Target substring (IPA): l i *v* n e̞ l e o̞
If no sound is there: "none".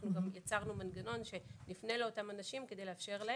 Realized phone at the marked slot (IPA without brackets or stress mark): f